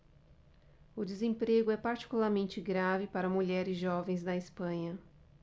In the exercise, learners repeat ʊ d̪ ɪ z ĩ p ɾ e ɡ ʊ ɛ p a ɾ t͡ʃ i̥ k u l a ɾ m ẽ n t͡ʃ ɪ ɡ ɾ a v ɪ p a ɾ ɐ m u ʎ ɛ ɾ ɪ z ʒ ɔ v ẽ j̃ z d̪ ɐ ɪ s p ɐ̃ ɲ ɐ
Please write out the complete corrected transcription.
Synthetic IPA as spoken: ʊ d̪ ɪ z ẽ p ɾ e ɡ ʊ ɛ p a ɾ t͡ʃ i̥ k u l a ɾ m ẽ n t͡ʃ ɪ ɡ ɾ a v ɪ p a ɾ ɐ m u ʎ ɛ ɾ ɪ z ʒ ɔ v ẽ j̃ z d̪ ɐ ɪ s p ɐ̃ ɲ ɐ